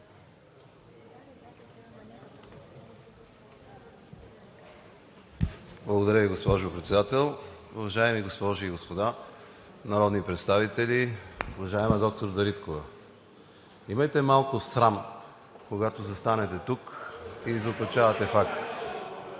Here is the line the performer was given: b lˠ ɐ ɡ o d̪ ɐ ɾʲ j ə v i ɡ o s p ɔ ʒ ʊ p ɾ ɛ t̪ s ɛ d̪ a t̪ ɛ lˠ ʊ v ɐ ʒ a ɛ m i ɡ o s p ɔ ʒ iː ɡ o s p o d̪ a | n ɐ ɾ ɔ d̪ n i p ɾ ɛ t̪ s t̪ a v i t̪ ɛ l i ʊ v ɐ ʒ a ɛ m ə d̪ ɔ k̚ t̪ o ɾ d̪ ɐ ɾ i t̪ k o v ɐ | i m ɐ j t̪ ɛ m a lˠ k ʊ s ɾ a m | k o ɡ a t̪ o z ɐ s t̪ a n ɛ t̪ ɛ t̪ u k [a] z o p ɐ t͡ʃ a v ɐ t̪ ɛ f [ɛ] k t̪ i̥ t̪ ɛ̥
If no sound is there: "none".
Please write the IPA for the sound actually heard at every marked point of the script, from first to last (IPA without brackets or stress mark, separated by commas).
i, a